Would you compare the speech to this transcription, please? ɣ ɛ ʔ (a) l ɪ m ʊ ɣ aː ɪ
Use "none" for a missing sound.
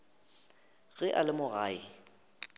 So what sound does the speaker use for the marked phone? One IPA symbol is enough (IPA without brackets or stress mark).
a